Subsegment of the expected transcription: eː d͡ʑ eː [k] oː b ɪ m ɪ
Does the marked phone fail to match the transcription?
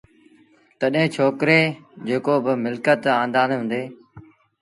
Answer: no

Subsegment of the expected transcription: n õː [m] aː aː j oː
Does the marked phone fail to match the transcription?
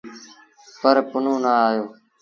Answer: yes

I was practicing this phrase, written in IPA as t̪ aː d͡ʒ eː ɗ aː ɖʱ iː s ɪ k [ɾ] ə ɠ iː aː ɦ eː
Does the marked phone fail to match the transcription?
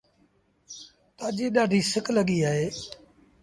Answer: yes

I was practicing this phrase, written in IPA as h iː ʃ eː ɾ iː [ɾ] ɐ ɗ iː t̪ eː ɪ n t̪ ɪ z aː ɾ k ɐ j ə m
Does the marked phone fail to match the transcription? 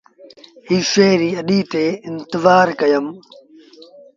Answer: yes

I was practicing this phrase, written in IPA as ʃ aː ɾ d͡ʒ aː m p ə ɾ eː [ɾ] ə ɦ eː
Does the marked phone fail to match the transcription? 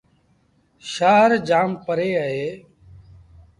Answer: yes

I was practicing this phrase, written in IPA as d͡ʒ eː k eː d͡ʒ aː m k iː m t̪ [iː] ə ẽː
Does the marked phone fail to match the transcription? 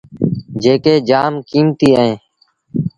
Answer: no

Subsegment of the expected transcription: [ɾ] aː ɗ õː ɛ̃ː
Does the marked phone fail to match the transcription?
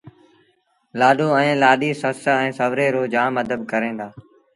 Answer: yes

